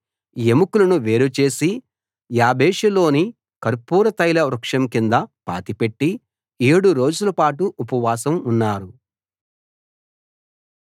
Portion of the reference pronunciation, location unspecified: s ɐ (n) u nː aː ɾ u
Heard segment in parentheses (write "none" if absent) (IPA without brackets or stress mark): m